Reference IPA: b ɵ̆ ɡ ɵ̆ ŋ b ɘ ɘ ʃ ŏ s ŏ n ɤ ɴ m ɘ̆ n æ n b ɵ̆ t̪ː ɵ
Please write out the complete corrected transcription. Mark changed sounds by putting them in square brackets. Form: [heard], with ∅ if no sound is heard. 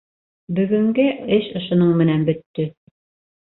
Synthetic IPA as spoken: b ɵ̆ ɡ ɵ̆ ŋ [ɡ] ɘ ɘ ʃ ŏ [ʃ] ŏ n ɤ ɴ m ɘ̆ n æ n b ɵ̆ t̪ː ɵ